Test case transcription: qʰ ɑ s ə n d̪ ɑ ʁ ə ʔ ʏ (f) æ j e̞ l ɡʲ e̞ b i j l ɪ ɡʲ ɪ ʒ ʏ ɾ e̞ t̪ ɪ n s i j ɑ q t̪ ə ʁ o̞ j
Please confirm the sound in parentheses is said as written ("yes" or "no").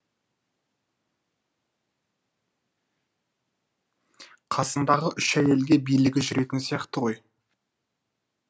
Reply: no